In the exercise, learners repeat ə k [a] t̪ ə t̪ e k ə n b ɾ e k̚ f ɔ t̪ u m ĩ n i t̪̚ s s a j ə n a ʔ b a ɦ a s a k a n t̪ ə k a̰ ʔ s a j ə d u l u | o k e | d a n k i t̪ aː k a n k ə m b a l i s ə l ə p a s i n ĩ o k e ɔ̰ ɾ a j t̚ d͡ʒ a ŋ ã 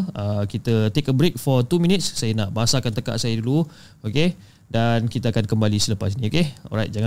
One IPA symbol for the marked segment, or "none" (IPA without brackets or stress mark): i